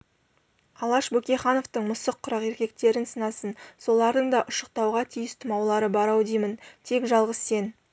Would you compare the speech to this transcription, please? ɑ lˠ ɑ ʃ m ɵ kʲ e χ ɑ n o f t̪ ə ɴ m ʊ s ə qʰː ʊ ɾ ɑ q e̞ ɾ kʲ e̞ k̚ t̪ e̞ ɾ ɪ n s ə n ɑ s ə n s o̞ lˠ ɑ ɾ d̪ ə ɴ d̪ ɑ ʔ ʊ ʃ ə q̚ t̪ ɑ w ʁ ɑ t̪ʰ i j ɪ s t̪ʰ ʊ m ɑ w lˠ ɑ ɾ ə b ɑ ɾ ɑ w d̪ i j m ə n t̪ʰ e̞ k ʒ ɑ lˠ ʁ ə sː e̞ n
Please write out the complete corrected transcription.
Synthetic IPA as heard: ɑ lˠ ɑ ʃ b ɵ kʲ e χ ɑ n o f t̪ ə ɴ m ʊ s ə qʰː ʊ ɾ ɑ q e̞ ɾ kʲ e̞ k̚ t̪ e̞ ɾ ɪ n s ə n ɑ s ə n s o̞ lˠ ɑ ɾ d̪ ə ɴ d̪ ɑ ʔ ʊ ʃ ə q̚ t̪ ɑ w ʁ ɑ t̪ʰ i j ɪ s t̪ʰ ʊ m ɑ w lˠ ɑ ɾ ə b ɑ ɾ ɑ w d̪ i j m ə n t̪ʰ e̞ k ʒ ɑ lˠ ʁ ə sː e̞ n

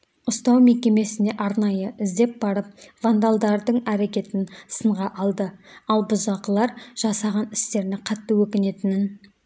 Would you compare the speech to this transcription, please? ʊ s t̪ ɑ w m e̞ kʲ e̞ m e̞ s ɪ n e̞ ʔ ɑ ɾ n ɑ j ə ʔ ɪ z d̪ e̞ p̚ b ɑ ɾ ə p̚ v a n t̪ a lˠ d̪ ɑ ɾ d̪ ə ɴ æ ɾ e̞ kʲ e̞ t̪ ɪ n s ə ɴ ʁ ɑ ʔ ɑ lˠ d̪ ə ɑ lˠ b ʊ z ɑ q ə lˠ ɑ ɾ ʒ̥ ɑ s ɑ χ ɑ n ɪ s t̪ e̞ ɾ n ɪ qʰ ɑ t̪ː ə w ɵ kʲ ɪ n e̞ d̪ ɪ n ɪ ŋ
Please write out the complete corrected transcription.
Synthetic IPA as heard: ʊ s t̪ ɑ w m e̞ kʲ e̞ m e̞ s ɪ n e̞ ʔ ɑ ɾ n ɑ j ə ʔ ɪ z d̪ e̞ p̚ b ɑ ɾ ə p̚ v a n d̪ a lˠ d̪ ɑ ɾ d̪ ə ɴ æ ɾ e̞ kʲ e̞ t̪ ɪ n s ə ɴ ʁ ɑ ʔ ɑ lˠ d̪ ə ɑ lˠ b ʊ z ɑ q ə lˠ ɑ ɾ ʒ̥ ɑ s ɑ ʁ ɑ n ɪ s t̪ e̞ ɾ n ɪ qʰ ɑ t̪ː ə w ɵ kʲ ɪ n e̞ t̪ ɪ n ɪ n

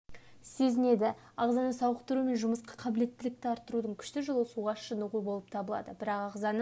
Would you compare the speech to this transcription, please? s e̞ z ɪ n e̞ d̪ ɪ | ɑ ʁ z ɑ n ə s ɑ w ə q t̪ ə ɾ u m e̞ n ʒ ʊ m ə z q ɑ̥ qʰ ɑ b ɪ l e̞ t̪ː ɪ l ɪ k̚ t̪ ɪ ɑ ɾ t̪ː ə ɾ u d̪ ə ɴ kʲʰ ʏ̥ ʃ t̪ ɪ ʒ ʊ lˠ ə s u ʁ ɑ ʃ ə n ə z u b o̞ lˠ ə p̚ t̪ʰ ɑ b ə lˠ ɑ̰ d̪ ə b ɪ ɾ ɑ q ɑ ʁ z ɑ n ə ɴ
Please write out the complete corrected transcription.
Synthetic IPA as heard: s e̞ z ɪ n e̞ d̪ ɪ | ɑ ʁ z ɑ n ə s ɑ w ə q t̪ ə ɾ u m e̞ n ʒ ʊ m ə s q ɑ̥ qʰ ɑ b ɪ l e̞ t̪ː ɪ l ɪ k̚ t̪ ɪ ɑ ɾ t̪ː ə ɾ u d̪ ə ɴ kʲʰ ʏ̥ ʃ t̪ ɪ ʒ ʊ lˠ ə s u ʁ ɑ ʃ ə n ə ʁ u b o̞ lˠ ə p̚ t̪ʰ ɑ b ə lˠ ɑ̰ d̪ ə b ɪ ɾ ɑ q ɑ ʁ z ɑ n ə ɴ

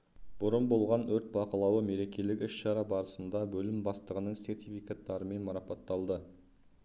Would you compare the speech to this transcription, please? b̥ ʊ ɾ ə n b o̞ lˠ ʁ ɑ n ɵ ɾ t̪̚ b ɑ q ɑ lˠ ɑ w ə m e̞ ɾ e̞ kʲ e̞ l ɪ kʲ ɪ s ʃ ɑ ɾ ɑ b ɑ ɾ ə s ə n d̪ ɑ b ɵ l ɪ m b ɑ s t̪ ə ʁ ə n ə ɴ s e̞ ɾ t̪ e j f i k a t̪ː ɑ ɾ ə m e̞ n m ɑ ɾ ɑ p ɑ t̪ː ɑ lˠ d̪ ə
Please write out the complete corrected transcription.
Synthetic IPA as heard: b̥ ʊ ɾ ə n b o̞ lˠ ʁ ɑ n ɵ ɾ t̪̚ b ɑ q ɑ lˠ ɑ w ə m e̞ ɾ e̞ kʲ e̞ l ɪ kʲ ɪ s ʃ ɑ ɾ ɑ b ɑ ɾ ə s ə n d̪ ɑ b ɵ l ɪ m b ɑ s t̪ ə ʁ ə n ə ɴ s e̞ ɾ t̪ i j f i k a t̪ː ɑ ɾ ə m e̞ n m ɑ ɾ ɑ p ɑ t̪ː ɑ lˠ d̪ ə

